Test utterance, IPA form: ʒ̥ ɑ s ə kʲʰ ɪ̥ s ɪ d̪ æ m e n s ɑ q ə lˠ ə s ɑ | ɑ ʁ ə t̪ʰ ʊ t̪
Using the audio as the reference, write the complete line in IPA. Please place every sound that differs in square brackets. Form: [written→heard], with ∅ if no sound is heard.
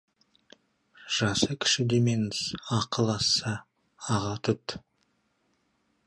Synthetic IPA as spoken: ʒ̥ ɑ s ə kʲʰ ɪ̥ [s→ʃ] ɪ d̪ [æ→e] m e n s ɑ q ə lˠ [ə→ɑ] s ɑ | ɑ ʁ [ə→ɑ] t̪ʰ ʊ t̪

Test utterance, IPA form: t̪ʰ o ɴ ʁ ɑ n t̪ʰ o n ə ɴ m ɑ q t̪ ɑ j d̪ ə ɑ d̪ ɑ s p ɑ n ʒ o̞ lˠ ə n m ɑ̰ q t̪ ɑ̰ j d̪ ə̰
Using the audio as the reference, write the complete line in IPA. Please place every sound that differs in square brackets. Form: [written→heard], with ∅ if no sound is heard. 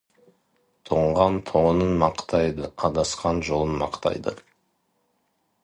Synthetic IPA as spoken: t̪ʰ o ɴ ʁ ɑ n t̪ʰ o n ə [ɴ→n] m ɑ q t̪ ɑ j d̪ ə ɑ d̪ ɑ s [p→q] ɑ n ʒ o̞ lˠ ə n m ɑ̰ q t̪ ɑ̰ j d̪ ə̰

